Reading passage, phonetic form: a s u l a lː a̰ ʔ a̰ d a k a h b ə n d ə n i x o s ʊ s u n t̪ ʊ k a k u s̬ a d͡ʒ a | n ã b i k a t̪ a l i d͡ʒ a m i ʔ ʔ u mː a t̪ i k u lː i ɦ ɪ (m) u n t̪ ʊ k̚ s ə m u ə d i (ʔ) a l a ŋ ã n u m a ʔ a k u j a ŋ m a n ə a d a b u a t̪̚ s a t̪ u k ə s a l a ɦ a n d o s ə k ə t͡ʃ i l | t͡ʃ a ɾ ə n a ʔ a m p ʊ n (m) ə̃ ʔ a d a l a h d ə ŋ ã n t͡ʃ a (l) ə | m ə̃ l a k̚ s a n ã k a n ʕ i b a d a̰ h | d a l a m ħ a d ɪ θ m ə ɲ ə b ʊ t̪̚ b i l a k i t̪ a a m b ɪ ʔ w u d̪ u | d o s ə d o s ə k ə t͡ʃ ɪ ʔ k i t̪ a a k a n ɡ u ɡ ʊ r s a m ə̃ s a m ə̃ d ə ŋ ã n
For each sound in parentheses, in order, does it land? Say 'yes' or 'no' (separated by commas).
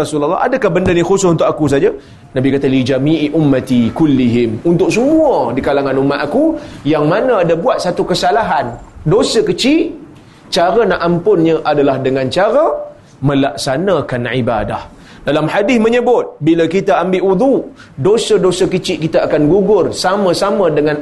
yes, no, no, no